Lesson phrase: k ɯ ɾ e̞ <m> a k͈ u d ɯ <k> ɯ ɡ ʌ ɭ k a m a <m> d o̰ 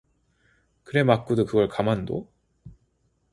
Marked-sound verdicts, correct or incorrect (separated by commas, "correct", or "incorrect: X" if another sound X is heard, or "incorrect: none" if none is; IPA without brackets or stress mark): correct, correct, incorrect: n